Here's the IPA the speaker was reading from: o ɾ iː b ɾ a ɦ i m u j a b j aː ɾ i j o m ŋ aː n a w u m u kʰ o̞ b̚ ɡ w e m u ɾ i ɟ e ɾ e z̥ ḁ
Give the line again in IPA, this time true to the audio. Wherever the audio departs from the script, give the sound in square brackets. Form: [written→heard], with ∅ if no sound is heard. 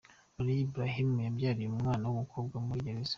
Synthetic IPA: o ɾ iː b ɾ a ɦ i m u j a b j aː ɾ i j [o→u] m ŋ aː n a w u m u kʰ o̞ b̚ ɡ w [e→a] m u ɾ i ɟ e ɾ e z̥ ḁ